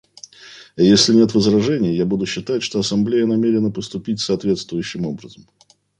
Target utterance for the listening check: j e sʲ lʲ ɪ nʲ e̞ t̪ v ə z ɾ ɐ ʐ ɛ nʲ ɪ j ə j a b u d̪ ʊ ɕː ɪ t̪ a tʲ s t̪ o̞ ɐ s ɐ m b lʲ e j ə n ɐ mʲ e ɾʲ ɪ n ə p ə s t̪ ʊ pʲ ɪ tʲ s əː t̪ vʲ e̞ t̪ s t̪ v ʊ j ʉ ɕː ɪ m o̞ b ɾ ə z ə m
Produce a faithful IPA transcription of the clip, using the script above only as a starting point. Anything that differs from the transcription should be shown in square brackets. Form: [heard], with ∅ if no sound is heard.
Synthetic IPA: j e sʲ lʲ ɪ nʲ e̞ t̪ v ə z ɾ ɐ ʐ ɛ nʲ ɪ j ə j a b u d̪ ʊ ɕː ɪ t̪ a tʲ [ʂ] t̪ o̞ ɐ s ɐ m b lʲ e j ə n ɐ mʲ e ɾʲ ɪ n ə p ə s t̪ ʊ pʲ [i] tʲ s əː t̪ vʲ e̞ t̪ s t̪ v ʊ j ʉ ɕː ɪ m o̞ b ɾ ə z ə m